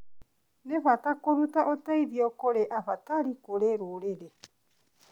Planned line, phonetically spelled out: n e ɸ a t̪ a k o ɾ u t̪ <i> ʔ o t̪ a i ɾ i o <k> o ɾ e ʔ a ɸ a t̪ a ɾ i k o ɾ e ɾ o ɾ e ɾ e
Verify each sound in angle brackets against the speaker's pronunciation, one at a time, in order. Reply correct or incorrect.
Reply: incorrect: a, correct

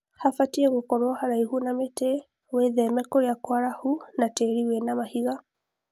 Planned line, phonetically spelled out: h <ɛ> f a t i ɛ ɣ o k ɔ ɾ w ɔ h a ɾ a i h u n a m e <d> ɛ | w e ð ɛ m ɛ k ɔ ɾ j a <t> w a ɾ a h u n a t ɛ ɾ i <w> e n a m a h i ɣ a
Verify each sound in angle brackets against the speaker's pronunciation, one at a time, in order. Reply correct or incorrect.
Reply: incorrect: a, incorrect: t, incorrect: k, correct

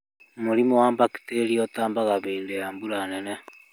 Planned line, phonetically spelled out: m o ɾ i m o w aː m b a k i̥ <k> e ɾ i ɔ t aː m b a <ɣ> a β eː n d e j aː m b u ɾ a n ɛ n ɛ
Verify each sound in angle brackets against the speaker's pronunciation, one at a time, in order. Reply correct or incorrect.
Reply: incorrect: t, correct

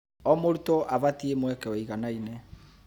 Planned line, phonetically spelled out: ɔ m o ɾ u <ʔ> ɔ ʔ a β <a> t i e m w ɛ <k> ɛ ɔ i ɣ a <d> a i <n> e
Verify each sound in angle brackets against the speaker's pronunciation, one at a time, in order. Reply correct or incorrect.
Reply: incorrect: t, correct, correct, incorrect: n, correct

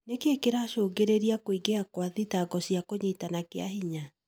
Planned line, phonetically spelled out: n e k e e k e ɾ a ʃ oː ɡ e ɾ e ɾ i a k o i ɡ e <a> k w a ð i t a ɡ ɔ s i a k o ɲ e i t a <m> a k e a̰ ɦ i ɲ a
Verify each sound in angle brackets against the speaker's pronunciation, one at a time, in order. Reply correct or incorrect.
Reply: correct, incorrect: n

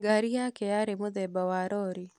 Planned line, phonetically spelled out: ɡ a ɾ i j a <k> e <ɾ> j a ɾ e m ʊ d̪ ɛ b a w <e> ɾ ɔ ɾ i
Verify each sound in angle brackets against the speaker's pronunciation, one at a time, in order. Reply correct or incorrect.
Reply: correct, incorrect: none, incorrect: a

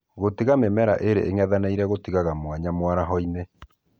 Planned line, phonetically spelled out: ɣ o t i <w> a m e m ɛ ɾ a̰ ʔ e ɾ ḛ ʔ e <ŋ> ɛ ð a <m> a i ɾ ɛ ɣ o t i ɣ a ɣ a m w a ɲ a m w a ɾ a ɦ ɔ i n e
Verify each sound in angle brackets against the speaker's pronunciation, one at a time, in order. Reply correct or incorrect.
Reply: incorrect: ɣ, correct, incorrect: n

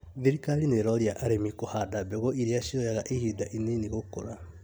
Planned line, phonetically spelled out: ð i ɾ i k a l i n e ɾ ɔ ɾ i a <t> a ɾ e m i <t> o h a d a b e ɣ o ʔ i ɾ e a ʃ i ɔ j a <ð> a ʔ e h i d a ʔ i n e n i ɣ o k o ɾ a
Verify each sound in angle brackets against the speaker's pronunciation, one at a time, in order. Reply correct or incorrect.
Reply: incorrect: ʔ, incorrect: k, incorrect: ɣ

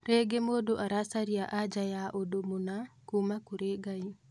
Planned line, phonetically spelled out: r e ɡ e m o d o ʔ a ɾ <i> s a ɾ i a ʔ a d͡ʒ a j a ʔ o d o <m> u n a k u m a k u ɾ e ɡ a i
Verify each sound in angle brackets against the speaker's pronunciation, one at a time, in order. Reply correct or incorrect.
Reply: incorrect: a, correct

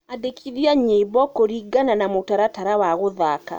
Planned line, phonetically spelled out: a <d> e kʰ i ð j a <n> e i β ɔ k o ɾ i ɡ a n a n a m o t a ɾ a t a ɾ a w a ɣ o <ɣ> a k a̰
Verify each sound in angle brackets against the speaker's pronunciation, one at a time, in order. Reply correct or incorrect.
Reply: correct, incorrect: ɲ, incorrect: ð

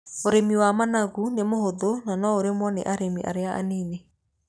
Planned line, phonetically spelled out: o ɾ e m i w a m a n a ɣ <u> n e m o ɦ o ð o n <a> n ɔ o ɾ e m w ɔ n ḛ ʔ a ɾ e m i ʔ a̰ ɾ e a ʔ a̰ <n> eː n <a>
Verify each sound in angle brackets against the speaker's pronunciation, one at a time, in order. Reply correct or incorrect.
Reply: correct, correct, correct, incorrect: e

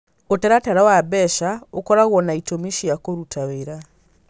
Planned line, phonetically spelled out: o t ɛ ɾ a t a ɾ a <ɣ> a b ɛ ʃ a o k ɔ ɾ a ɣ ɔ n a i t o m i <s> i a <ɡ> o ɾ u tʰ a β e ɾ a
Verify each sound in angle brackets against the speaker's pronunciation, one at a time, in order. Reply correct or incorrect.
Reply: incorrect: w, incorrect: ʃ, incorrect: k

